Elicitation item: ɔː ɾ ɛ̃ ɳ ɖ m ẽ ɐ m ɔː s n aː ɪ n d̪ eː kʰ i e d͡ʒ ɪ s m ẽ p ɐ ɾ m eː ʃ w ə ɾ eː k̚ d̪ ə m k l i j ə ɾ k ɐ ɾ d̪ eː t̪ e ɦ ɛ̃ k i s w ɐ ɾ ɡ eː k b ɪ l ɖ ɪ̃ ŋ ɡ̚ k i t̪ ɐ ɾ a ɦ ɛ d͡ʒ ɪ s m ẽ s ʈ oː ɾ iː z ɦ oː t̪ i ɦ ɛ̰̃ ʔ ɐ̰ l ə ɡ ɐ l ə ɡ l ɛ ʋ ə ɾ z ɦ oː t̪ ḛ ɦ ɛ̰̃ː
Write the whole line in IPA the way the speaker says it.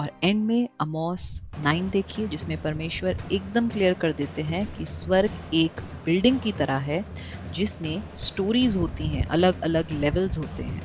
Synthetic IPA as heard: ɔː ɾ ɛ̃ ɳ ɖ m ẽ ɐ m ɔː s n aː ɪ n d̪ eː kʰ i e d͡ʒ ɪ s m ẽ p ɐ ɾ m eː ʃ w ə ɾ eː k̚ d̪ ə m k l i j ə ɾ k ɐ ɾ d̪ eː t̪ e ɦ ɛ̃ k i s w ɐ ɾ ɡ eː k b ɪ l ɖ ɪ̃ ŋ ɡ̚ k i t̪ ɐ ɾ a ɦ ɛ d͡ʒ ɪ s m ẽ s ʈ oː ɾ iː z ɦ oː t̪ i ɦ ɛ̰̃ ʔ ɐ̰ l ə ɡ ɐ l ə ɡ l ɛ ʋ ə l z ɦ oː t̪ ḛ ɦ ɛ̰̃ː